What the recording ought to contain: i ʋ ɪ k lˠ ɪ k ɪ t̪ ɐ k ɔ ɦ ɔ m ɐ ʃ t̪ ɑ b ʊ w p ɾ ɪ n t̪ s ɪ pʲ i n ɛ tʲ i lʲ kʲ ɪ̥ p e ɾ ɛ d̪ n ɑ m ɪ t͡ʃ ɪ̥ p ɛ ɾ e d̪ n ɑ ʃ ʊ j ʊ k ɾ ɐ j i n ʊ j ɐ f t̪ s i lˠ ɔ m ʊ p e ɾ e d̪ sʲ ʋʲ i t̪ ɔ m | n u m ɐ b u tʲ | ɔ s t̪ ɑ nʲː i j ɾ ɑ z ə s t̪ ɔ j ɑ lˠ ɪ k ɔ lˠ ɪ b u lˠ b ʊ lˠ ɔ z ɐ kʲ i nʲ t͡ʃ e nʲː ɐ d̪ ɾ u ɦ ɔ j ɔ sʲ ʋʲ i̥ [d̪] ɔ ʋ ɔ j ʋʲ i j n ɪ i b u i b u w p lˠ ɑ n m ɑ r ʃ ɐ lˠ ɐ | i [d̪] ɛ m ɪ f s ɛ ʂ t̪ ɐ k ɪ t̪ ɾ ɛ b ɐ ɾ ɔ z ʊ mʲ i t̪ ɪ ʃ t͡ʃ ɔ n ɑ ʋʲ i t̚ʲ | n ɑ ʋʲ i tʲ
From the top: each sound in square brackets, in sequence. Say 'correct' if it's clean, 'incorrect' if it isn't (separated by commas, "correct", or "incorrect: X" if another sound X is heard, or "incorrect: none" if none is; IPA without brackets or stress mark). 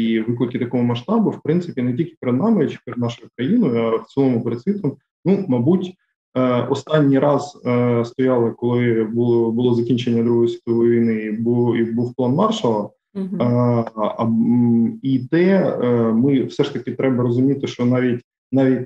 incorrect: t̪, incorrect: t̪